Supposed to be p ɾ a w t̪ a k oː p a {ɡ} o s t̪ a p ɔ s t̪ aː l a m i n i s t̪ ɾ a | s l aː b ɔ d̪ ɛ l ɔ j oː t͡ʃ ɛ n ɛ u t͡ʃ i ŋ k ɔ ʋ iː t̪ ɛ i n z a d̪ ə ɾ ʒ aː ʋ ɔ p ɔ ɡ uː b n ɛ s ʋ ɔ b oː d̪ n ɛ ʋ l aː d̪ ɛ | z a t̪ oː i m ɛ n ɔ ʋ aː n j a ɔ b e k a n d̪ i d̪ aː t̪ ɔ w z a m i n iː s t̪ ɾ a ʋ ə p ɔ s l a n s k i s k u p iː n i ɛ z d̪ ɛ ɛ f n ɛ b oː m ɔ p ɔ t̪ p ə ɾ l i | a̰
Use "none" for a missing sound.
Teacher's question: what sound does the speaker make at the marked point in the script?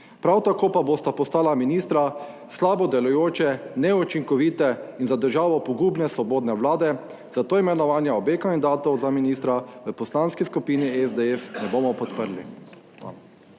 b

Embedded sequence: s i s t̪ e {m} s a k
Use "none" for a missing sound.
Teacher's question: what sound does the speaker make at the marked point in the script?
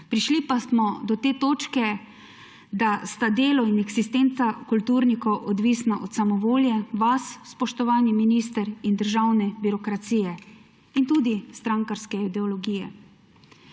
n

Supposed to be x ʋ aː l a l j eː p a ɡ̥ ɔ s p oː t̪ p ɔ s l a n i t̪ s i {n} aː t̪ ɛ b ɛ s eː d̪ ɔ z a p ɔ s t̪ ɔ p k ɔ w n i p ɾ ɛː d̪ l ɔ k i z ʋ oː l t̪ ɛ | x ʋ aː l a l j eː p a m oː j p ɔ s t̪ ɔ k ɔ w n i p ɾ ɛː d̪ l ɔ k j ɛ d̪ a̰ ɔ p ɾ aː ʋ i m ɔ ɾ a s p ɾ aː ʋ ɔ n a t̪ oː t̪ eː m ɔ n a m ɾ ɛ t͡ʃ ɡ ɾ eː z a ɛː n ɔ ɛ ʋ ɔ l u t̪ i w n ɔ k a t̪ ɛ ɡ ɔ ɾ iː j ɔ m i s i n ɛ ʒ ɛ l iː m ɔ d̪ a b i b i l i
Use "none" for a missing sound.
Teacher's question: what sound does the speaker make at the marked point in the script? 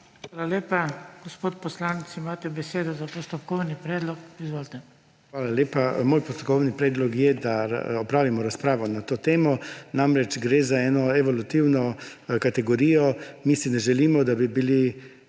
m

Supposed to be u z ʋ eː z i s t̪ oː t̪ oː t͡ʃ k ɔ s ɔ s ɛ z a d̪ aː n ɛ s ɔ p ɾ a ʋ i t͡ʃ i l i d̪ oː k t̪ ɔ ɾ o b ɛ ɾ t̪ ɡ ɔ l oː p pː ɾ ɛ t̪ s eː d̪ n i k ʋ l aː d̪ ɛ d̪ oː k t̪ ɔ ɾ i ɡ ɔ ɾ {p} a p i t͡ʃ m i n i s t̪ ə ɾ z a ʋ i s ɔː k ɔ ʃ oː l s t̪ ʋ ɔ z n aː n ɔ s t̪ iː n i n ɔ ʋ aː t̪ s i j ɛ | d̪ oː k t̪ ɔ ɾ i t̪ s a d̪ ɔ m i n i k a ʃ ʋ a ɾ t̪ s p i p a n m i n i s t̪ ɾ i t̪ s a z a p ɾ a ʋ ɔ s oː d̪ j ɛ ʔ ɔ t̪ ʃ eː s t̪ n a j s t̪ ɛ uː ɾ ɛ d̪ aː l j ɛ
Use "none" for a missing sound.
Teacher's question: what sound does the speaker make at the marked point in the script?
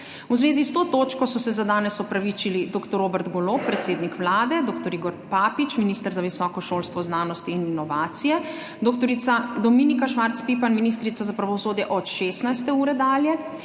p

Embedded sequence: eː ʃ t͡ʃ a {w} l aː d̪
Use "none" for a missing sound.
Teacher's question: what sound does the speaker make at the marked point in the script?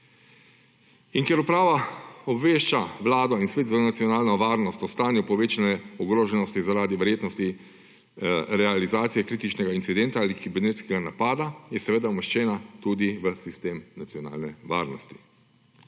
ʋ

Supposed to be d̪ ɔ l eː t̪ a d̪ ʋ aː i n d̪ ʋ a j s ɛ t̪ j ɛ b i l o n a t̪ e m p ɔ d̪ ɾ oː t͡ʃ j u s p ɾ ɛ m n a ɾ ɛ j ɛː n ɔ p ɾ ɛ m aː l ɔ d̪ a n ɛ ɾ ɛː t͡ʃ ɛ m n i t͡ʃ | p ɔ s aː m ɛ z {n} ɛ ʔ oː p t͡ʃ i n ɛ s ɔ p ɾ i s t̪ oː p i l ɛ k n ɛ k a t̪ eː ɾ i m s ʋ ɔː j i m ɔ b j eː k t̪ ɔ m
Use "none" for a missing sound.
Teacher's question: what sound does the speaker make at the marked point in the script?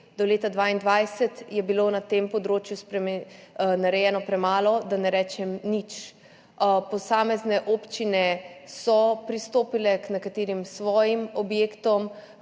n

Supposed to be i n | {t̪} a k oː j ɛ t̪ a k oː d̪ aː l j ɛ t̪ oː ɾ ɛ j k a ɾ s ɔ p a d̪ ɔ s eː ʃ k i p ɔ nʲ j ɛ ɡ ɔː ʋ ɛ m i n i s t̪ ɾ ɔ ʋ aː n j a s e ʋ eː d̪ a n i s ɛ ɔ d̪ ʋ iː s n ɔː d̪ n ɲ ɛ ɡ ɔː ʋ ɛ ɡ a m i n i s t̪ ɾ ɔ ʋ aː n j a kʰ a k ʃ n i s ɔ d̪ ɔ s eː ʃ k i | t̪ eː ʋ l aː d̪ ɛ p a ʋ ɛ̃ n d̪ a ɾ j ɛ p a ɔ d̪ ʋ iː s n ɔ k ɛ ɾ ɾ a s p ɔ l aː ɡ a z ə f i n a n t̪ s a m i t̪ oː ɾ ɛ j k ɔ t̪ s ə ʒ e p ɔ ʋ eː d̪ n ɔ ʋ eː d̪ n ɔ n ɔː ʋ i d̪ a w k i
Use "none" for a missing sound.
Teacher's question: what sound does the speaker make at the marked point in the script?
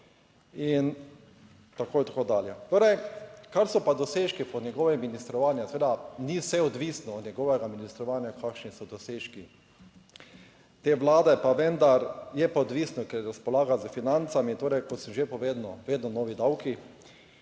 t̪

